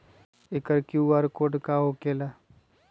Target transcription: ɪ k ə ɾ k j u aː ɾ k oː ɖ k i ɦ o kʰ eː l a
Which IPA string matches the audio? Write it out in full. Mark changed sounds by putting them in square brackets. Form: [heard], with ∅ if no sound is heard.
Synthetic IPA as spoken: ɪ k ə ɾ k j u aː ɾ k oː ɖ k [a] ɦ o [k] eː l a